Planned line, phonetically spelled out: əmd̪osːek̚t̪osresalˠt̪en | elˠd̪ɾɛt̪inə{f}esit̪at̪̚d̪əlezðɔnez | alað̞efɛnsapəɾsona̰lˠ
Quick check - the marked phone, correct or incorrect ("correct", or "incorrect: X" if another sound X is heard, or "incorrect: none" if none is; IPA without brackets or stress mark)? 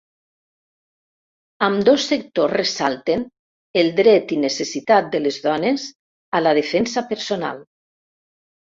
incorrect: s